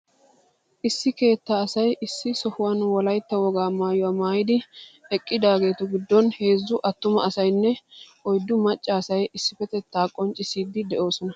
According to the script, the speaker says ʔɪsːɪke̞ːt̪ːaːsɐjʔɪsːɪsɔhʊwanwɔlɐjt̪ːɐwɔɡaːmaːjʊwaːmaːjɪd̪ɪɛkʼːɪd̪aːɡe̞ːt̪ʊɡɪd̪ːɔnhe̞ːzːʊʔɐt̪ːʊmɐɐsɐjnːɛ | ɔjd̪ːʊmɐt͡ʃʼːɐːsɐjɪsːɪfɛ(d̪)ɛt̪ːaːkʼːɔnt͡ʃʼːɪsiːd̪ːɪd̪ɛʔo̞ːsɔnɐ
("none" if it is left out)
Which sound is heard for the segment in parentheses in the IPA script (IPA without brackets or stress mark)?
t̪